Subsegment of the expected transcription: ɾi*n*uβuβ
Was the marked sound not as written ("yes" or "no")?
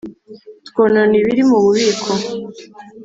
yes